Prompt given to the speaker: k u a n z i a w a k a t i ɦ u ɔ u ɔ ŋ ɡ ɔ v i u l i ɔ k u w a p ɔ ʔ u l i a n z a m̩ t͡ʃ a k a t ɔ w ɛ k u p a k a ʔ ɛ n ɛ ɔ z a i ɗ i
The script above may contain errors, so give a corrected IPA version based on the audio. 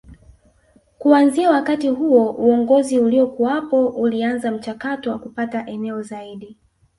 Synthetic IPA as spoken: k u a n z i a w a k a t i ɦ u ɔ u ɔ ŋ ɡ ɔ z i u l i ɔ k u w a p ɔ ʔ u l i a n z a m̩ t͡ʃ a k a t ɔ w a k u p a t a ʔ ɛ n ɛ ɔ z a i ɗ i

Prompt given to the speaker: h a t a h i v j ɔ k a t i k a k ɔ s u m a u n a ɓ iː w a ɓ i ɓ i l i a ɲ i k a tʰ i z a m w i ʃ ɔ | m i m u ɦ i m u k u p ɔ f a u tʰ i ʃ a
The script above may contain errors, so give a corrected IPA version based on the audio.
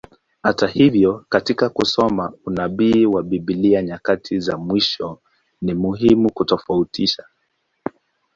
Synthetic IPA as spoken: h a t a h i v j ɔ k a t i k a k u s ɔ m a u n a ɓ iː w a ɓ i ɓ i l i a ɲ a k a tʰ i z a m w i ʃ ɔ | n i m u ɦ i m u k u t ɔ f a u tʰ i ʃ a

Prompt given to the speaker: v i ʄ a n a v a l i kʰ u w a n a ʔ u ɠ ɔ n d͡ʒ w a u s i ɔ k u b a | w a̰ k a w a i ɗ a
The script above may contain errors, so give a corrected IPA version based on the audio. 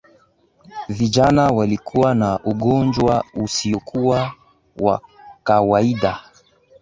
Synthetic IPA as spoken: v i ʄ a n a w a l i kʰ u w a n a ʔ u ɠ ɔ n d͡ʒ w a u s i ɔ k u w a | w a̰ k a w a i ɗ a

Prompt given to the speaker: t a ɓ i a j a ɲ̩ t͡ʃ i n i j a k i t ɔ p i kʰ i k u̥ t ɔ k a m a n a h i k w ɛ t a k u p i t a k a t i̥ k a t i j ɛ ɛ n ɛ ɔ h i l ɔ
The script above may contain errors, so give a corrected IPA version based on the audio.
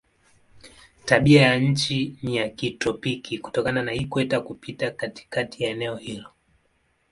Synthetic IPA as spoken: t a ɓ i a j a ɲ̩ t͡ʃ i n i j a k i t ɔ p i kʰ i k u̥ t ɔ k a n a n a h i k w ɛ t a k u p i t a k a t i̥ k a t i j a ɛ n ɛ ɔ h i l ɔ

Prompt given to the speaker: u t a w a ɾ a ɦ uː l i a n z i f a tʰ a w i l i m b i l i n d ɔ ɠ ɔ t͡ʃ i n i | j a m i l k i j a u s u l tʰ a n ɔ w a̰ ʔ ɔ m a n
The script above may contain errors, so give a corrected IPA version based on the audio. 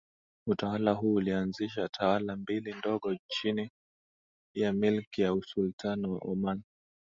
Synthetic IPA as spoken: u t a w a l a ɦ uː l i a n z i ʃ a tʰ a w a l a m b i l i n d ɔ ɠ ɔ t͡ʃ i n i | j a m i l k i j a u s u l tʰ a n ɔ w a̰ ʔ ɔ m a n

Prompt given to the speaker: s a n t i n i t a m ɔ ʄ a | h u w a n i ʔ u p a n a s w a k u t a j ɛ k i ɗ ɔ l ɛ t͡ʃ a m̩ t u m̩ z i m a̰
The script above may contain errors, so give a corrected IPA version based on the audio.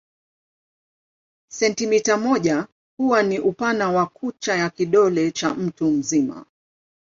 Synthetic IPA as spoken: s ɛ n t i m i t a m ɔ ʄ a | h u w a n i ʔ u p a n a w a k u t͡ʃ a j a k i ɗ ɔ l ɛ t͡ʃ a m̩ t u m̩ z i m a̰

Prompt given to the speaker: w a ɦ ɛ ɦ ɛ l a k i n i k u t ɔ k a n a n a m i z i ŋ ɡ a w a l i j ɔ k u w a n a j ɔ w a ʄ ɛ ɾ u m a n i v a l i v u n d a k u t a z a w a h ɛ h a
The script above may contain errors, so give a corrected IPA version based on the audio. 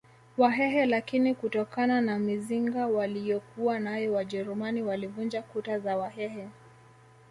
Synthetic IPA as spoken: w a ɦ ɛ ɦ ɛ l a k i n i k u t ɔ k a n a n a m i z i ŋ ɡ a w a l i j ɔ k u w a n a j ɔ w a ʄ ɛ ɾ u m a n i w a l i v u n d͡ʒ a k u t a z a w a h ɛ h ɛ

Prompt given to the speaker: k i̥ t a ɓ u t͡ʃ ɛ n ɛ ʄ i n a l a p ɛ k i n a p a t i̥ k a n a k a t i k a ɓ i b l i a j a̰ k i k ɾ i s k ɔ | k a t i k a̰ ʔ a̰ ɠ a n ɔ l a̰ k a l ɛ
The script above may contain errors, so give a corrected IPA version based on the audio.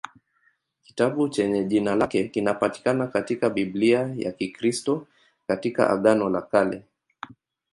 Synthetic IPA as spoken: k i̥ t a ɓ u t͡ʃ ɛ ɲ ɛ ʄ i n a l a k ɛ k i n a p a t i̥ k a n a k a t i k a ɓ i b l i a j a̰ k i k ɾ i s t ɔ | k a t i k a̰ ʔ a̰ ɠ a n ɔ l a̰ k a l ɛ

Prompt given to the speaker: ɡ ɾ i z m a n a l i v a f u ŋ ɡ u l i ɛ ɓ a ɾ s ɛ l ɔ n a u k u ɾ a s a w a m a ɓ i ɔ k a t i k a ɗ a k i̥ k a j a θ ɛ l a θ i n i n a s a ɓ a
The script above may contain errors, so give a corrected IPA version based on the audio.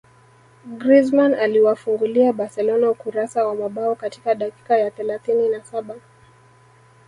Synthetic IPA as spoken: ɡ ɾ i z m a n a l i w a f u ŋ ɡ u l i a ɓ a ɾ s ɛ l ɔ n a u k u ɾ a s a w a m a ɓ a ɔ k a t i k a ɗ a k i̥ k a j a θ ɛ l a θ i n i n a s a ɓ a

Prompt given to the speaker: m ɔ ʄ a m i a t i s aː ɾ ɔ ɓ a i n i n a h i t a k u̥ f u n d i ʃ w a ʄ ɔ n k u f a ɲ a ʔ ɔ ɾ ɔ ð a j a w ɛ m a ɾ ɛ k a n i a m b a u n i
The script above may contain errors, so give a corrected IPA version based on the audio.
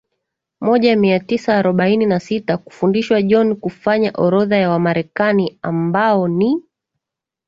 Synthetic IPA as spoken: m ɔ ʄ a m i a t i s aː ɾ ɔ ɓ a i n i n a s i t a k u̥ f u n d i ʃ w a ʄ ɔ n k u f a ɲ a ʔ ɔ ɾ ɔ ð a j a w a m a ɾ ɛ k a n i a m b a ɔ n i

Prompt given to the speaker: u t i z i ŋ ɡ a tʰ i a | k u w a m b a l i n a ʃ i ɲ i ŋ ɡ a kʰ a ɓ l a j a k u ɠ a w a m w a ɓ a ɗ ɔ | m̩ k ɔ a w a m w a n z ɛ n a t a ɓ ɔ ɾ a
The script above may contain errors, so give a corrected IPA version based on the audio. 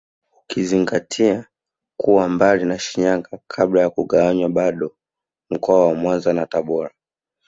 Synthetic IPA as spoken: u k i z i ŋ ɡ a tʰ i a | k u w a m b a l i n a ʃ i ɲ a ŋ ɡ a kʰ a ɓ l a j a k u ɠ a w a ɲ w a ɓ a ɗ ɔ | m̩ k ɔ a w a m w a n z a n a t a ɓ ɔ ɾ a

